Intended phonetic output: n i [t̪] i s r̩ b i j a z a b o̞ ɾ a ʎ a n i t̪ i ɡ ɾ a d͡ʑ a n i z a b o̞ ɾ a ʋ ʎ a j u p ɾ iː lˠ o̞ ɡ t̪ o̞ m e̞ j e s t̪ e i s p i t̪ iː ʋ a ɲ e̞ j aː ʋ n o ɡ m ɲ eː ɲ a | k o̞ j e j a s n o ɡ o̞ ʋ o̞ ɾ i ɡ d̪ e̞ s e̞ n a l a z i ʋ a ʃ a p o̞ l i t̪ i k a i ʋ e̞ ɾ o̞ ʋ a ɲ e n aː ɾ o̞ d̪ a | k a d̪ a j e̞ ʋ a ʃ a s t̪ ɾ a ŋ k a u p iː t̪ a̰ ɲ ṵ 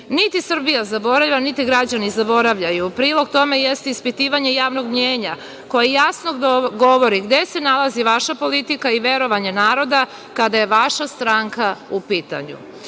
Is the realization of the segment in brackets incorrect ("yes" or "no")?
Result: no